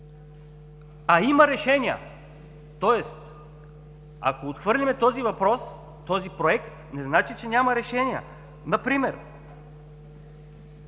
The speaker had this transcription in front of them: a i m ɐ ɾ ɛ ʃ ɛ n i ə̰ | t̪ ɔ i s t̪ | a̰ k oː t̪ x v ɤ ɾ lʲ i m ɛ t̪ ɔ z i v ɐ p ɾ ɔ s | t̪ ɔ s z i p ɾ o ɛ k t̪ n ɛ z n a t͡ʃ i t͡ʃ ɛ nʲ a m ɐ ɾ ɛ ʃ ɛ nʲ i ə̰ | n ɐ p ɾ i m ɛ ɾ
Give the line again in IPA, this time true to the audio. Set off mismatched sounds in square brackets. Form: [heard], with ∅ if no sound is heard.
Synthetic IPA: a i m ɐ ɾ ɛ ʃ ɛ n i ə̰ | t̪ ɔ [ɛ] s t̪ | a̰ k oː t̪ x v ɤ ɾ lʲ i m ɛ t̪ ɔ z i v ɐ p ɾ ɔ s | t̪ ɔ [∅] z i p ɾ o ɛ k t̪ n ɛ z n a t͡ʃ i t͡ʃ ɛ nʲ a m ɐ ɾ ɛ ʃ ɛ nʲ i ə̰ | n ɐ p ɾ i m ɛ ɾ